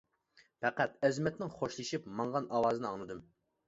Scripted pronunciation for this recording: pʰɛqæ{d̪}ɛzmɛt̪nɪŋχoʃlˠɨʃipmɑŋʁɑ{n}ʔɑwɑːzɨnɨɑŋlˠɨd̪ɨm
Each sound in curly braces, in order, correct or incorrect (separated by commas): incorrect, correct